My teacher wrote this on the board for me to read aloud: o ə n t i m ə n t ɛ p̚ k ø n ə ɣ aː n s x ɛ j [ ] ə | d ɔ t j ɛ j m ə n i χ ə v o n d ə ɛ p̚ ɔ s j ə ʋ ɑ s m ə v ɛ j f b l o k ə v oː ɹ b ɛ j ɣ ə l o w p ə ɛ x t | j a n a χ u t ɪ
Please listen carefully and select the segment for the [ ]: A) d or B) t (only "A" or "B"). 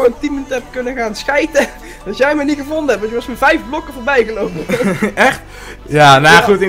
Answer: B